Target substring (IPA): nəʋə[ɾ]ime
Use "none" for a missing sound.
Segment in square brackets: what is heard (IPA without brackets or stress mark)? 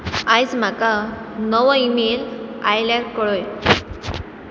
none